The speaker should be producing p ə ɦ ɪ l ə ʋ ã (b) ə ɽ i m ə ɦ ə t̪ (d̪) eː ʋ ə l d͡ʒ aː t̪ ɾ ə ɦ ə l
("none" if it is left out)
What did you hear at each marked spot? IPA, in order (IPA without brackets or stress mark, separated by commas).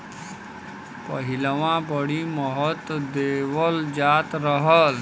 b, d̪